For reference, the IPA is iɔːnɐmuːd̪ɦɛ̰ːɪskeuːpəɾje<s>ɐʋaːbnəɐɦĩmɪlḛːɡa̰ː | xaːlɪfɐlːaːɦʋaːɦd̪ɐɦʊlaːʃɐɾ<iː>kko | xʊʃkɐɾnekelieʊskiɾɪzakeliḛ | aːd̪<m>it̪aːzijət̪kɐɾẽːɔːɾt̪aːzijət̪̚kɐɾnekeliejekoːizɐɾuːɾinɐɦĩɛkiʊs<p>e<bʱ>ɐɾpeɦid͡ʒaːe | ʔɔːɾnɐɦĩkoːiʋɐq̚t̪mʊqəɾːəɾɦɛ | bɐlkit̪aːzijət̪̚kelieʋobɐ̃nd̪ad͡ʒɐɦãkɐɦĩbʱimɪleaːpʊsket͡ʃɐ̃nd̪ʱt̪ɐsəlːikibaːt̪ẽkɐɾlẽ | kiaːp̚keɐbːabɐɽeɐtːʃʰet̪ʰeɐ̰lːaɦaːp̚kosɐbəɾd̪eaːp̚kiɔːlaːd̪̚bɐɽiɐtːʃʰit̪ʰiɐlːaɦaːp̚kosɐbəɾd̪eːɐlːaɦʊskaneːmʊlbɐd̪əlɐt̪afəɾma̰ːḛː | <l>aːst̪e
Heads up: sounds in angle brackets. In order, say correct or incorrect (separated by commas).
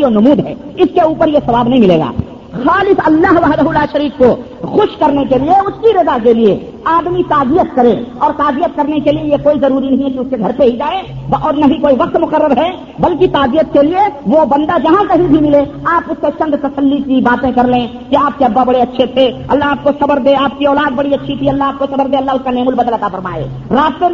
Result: correct, correct, correct, incorrect, incorrect, incorrect